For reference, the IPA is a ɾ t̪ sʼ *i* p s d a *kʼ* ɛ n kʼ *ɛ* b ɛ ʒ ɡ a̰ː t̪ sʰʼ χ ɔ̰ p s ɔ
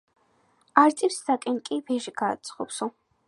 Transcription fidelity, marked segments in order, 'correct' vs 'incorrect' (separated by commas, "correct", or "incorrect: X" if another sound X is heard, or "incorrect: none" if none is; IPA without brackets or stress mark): correct, correct, incorrect: i